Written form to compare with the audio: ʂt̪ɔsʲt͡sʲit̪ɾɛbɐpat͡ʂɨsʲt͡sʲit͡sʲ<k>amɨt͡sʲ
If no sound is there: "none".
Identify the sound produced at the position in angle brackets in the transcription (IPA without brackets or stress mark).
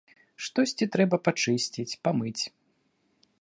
p